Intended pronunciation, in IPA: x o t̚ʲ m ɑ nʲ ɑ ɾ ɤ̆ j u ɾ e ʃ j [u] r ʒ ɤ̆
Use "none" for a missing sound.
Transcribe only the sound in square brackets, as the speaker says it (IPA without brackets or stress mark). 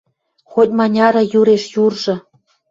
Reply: u